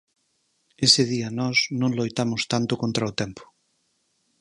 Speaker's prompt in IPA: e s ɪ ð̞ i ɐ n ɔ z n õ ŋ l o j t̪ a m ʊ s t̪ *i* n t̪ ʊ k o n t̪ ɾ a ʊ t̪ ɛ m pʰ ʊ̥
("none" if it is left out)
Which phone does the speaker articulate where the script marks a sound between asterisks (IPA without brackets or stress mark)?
a